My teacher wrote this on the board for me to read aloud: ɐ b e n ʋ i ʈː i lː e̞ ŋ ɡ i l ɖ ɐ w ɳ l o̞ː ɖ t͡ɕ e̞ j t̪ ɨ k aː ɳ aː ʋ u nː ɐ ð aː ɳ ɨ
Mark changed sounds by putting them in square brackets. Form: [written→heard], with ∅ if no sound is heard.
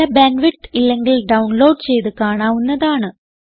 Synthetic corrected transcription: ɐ b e n ʋ i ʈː i lː e̞ ŋ ɡ i l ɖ ɐ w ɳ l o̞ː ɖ t͡ɕ e̞ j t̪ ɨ k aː ɳ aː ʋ u nː ɐ ð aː ɳ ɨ